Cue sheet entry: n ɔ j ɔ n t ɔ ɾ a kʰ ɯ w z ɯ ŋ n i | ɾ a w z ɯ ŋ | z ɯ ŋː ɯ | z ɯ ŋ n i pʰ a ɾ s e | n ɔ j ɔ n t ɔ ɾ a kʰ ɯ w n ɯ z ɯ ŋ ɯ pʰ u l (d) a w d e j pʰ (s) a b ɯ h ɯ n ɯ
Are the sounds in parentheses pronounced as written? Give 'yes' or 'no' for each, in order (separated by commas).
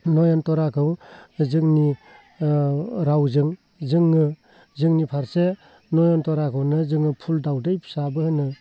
yes, yes